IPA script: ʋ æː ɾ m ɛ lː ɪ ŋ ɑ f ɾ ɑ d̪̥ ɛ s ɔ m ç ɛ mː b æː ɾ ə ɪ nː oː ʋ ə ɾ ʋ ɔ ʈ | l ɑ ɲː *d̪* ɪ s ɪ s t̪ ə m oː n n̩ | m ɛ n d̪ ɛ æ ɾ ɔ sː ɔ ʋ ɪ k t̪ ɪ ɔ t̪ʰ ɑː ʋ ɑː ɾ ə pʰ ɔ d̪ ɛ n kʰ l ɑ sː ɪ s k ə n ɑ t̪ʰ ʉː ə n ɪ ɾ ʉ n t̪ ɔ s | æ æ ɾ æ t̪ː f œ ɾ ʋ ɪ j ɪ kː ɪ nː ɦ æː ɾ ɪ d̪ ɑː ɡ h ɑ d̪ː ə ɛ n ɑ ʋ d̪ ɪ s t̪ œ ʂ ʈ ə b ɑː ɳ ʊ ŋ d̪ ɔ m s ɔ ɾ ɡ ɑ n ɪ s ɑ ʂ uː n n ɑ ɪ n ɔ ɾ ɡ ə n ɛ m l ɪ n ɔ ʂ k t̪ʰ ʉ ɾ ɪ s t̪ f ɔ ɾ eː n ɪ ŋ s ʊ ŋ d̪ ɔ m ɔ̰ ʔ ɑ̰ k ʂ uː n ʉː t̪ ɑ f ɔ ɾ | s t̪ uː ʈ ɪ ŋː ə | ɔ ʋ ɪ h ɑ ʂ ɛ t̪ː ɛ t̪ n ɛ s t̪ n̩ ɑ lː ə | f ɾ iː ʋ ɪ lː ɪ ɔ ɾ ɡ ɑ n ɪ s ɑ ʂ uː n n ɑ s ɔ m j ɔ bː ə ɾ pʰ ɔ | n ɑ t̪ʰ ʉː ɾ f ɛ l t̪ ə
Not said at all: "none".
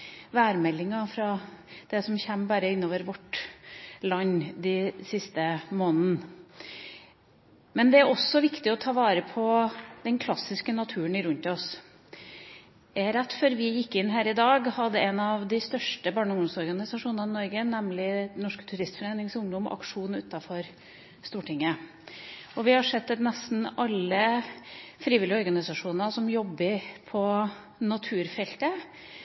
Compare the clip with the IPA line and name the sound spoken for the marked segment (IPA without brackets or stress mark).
d̪